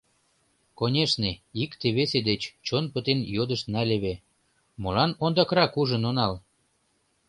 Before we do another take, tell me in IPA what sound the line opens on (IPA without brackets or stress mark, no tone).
k